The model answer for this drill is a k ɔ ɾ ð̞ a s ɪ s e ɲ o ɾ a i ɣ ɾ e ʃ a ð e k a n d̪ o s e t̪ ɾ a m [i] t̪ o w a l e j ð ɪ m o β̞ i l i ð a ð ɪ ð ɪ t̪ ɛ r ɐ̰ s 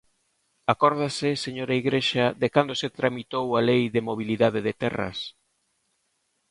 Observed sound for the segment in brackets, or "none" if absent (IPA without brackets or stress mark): i